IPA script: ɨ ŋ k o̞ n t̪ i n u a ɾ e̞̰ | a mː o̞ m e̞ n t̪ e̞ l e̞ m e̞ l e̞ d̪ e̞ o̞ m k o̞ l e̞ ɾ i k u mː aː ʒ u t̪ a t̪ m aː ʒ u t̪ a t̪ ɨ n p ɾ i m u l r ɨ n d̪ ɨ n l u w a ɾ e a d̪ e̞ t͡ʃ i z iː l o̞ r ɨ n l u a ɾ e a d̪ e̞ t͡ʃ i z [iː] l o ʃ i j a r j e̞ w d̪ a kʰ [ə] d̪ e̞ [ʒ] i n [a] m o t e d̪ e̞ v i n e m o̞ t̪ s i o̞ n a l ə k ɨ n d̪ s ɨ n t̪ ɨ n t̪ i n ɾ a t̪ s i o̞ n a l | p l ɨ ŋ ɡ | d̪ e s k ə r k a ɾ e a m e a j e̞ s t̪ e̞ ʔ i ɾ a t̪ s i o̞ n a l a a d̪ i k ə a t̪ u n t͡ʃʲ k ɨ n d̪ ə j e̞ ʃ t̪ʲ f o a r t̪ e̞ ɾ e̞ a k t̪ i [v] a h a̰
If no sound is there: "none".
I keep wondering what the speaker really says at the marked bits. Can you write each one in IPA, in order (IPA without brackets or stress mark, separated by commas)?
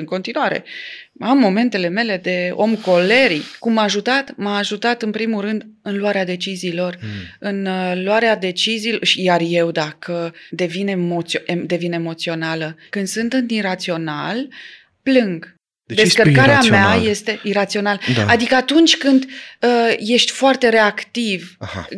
iː, ə, v, e, v